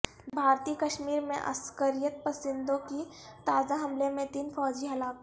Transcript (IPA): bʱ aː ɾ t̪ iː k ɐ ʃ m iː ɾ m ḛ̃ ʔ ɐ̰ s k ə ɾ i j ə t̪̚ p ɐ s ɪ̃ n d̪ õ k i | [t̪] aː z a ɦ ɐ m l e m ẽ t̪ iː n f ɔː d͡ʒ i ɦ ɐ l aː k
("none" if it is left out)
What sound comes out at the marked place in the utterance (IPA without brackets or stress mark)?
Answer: t̪